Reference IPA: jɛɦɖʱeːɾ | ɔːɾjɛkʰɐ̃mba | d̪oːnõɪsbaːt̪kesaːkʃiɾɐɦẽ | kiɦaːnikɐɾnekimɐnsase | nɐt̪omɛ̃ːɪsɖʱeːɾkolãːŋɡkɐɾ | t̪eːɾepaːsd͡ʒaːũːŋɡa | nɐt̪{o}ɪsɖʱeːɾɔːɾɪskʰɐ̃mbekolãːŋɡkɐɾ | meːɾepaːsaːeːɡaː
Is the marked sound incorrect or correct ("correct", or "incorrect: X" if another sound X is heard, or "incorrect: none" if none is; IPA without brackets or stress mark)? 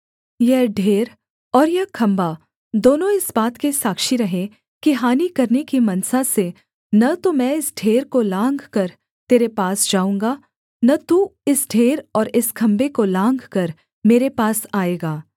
incorrect: u